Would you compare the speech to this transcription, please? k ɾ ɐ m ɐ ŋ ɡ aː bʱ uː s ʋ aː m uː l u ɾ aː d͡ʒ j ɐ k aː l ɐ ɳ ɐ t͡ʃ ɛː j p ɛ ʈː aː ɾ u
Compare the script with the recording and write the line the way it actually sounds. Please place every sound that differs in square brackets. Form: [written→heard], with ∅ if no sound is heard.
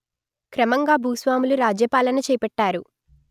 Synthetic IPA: k ɾ ɐ m ɐ ŋ ɡ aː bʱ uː s ʋ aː m [uː→u] l u ɾ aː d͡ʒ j ɐ [k→p] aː l ɐ [ɳ→n] ɐ t͡ʃ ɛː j p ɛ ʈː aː ɾ u